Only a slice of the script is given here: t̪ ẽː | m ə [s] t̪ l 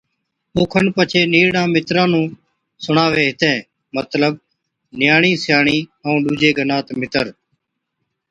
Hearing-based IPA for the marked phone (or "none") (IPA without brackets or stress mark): none